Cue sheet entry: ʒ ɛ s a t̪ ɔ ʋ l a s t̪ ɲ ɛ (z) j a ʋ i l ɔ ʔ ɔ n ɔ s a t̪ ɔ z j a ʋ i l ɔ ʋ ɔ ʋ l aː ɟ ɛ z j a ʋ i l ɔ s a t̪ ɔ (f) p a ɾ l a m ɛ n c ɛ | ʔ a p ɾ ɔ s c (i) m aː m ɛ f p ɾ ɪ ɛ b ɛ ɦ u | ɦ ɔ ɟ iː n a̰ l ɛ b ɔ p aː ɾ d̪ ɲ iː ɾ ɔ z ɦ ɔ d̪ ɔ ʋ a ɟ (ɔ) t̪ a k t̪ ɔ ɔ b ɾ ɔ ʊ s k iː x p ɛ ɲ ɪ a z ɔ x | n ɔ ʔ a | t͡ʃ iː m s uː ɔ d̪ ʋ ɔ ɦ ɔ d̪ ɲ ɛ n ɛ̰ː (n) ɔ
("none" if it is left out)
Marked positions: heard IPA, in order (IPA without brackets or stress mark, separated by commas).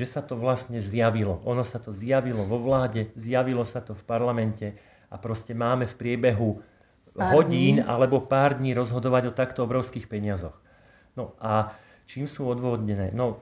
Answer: z, f, ɛ, ɔ, n